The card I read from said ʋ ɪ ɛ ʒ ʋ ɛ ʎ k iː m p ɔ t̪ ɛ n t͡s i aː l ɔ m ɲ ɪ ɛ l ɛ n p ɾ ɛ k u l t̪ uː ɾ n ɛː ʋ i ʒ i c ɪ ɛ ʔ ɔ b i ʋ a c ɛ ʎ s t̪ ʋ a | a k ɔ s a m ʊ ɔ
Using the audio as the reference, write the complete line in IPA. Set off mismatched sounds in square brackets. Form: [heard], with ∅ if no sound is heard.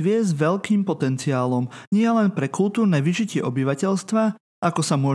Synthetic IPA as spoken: ʋ ɪ ɛ [z] ʋ ɛ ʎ k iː m p ɔ t̪ ɛ n t͡s i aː l ɔ m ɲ ɪ ɛ l ɛ n p ɾ ɛ k u l t̪ uː ɾ n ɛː ʋ i ʒ i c ɪ ɛ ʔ ɔ b i ʋ a c ɛ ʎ s t̪ ʋ a | a k ɔ s a m ʊ ɔ